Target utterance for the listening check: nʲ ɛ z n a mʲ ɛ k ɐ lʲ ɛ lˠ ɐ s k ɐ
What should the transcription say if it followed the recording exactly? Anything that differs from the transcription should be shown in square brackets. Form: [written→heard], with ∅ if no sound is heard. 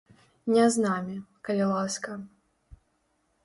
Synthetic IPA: nʲ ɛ z n a mʲ [ɛ→i] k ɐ lʲ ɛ lˠ [ɐ→a] s k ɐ